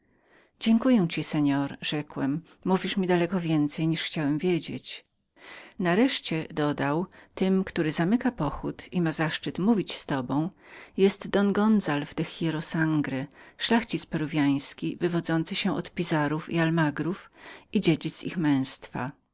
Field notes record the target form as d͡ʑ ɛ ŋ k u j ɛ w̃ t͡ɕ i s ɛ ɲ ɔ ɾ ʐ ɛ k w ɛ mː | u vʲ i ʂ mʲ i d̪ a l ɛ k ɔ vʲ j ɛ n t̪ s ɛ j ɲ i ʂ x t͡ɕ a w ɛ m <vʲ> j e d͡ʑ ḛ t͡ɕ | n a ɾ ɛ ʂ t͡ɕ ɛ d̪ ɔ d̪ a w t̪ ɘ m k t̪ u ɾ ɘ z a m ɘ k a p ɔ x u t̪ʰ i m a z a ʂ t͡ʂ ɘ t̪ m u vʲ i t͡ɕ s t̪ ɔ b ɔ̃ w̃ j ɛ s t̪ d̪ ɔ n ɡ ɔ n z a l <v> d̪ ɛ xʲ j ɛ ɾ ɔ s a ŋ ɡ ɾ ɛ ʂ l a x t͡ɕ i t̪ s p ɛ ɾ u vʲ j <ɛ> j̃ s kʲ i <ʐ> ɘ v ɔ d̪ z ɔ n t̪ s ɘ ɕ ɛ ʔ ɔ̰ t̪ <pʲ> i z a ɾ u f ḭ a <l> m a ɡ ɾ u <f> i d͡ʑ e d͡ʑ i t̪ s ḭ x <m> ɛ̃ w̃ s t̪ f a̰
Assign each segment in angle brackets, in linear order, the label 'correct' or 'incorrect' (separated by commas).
correct, correct, incorrect, incorrect, correct, correct, correct, correct